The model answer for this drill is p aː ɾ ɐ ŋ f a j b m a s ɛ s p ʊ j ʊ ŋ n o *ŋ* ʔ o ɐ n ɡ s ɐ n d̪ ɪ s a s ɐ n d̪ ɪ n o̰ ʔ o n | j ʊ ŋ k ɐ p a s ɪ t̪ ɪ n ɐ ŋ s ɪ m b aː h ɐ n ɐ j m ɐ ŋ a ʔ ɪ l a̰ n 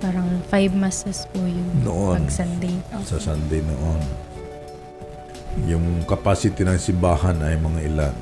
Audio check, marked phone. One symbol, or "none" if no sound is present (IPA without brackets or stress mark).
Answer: none